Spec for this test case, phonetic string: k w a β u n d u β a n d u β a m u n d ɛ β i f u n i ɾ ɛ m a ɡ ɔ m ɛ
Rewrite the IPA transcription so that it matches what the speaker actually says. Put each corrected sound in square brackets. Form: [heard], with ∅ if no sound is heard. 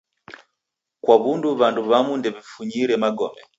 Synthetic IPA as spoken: k w a β u n d u β a n d u β a m u n d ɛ β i f u [ɲ] i ɾ ɛ m a ɡ ɔ m ɛ